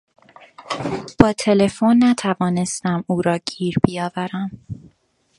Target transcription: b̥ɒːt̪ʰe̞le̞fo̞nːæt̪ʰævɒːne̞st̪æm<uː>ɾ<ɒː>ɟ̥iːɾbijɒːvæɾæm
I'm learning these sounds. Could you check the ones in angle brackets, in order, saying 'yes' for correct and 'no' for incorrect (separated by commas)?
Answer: yes, yes